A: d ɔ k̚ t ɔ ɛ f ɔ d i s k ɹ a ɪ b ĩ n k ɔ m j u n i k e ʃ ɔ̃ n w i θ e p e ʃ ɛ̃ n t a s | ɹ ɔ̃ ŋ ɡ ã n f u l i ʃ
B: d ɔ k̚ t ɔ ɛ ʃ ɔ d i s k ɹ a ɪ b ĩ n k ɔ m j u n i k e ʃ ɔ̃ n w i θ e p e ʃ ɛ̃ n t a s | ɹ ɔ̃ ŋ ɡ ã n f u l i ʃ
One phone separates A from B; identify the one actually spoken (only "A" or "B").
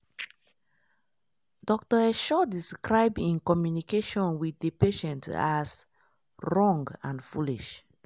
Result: B